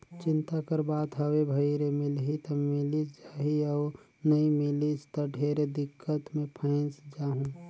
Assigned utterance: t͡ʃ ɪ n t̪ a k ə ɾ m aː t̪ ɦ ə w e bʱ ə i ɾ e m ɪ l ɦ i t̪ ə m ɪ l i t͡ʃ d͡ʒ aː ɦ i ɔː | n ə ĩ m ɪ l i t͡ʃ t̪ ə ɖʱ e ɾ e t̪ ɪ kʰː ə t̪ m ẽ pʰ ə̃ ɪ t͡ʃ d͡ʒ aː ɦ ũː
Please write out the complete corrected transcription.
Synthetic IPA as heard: t͡ʃ ɪ n t̪ a k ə ɾ b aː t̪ ɦ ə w e bʱ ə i ɾ e m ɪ l ɦ i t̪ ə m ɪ l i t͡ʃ d͡ʒ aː ɦ i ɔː | n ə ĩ m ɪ l i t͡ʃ t̪ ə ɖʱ e ɾ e d̪ ɪ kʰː ə t̪ m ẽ pʰ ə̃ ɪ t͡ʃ d͡ʒ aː ɦ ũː